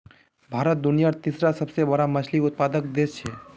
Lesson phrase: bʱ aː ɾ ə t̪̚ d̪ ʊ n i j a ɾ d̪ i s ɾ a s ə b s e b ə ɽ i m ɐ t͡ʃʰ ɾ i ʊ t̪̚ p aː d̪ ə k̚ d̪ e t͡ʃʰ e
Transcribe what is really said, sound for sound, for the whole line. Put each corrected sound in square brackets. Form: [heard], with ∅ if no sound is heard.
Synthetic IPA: bʱ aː ɾ ə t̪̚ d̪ ʊ n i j a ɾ [t̪] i s ɾ a s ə b s e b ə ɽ [a] m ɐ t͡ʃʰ [l] i ʊ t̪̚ p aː d̪ ə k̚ d̪ e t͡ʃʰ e